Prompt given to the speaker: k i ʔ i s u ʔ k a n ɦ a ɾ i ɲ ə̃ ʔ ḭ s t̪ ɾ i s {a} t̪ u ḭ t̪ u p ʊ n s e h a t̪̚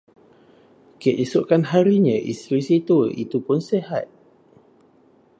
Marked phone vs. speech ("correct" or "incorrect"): incorrect